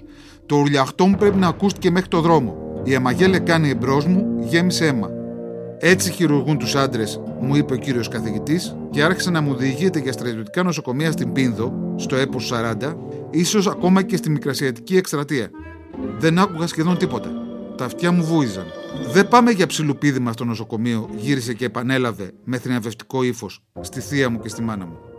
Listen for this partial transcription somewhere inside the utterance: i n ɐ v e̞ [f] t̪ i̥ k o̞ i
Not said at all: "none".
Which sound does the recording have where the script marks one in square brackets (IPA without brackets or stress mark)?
f